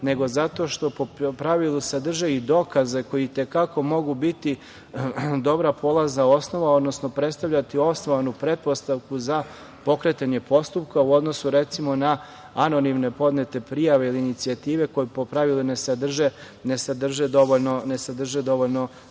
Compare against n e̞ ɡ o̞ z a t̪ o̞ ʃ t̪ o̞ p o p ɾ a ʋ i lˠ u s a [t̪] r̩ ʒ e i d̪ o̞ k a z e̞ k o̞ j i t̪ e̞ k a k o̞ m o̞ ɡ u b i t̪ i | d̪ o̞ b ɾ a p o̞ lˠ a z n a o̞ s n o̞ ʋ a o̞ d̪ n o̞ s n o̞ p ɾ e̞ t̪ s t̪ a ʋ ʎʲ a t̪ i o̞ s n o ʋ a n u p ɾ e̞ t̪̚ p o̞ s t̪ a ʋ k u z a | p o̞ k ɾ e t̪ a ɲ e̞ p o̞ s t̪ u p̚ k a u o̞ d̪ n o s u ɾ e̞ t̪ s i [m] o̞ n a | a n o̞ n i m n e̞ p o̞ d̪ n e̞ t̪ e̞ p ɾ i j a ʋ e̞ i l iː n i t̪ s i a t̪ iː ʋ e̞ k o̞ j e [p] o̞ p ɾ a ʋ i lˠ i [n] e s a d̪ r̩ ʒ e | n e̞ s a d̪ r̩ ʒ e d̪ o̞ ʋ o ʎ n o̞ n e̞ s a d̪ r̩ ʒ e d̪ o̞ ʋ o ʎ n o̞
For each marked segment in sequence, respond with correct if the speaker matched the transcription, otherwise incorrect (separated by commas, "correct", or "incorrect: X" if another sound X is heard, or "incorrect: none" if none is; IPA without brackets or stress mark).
incorrect: d̪, correct, correct, correct